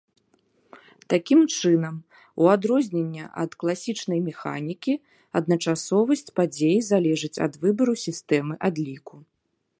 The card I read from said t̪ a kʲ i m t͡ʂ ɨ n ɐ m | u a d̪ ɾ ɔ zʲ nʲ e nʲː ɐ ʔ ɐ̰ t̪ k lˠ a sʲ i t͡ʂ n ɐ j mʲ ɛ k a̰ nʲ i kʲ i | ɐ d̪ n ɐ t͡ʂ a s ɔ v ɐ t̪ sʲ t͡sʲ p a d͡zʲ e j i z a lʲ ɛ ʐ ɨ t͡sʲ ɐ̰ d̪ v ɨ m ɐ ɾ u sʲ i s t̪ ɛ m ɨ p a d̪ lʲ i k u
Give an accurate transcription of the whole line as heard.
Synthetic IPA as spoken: t̪ a kʲ i m t͡ʂ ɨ n ɐ m | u a d̪ ɾ ɔ zʲ nʲ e nʲː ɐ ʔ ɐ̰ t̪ k lˠ a sʲ i t͡ʂ n ɐ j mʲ ɛ x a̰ nʲ i kʲ i | ɐ d̪ n ɐ t͡ʂ a s ɔ v ɐ sʲ t͡sʲ p a d͡zʲ e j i z a lʲ ɛ ʐ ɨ t͡sʲ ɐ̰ d̪ v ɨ b ɐ ɾ u sʲ i s t̪ ɛ m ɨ ʔ a d̪ lʲ i k u